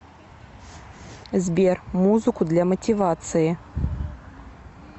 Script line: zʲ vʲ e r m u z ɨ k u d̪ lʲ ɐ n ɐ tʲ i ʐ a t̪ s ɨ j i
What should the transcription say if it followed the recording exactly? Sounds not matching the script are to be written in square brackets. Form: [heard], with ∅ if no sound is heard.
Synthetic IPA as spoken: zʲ [bʲ] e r m u z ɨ k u d̪ lʲ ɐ [m] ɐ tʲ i [v] a t̪ s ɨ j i

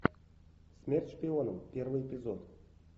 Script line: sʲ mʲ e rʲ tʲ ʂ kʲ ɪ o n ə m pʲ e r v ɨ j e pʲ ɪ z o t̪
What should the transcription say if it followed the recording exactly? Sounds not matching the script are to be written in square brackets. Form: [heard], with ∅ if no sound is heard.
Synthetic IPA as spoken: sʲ mʲ e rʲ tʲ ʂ [pʲ] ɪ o n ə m pʲ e r v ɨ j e pʲ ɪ z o t̪

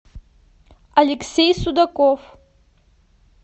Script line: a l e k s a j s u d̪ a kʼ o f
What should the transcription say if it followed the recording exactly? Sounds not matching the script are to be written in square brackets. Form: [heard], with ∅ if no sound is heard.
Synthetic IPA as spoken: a l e k s [e] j s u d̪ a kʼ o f

